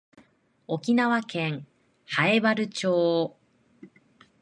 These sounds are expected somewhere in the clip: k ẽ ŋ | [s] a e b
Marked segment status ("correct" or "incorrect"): incorrect